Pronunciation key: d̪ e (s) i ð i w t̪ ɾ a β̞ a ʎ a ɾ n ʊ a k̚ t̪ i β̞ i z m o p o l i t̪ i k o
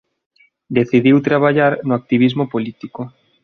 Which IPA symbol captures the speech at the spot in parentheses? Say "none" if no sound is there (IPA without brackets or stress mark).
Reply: θ